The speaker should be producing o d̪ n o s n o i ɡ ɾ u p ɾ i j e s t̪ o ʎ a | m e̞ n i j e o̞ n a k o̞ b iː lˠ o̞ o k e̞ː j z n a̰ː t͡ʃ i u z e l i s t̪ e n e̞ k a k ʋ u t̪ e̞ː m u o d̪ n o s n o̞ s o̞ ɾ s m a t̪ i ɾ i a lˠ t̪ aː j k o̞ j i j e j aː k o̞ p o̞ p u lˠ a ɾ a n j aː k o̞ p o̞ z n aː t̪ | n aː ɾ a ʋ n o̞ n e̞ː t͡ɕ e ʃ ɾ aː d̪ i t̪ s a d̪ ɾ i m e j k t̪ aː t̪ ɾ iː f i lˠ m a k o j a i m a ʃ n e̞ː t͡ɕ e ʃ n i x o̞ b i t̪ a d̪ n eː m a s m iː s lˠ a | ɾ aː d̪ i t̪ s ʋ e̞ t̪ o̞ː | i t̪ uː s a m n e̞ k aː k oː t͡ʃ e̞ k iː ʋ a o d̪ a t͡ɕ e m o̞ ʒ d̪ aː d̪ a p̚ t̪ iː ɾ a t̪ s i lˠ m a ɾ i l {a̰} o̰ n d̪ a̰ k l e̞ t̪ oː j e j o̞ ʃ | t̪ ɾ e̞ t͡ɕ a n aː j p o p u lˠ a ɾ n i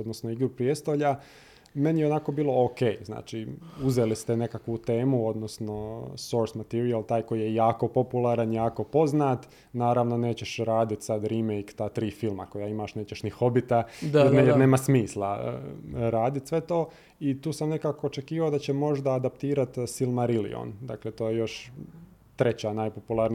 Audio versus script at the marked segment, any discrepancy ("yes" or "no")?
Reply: yes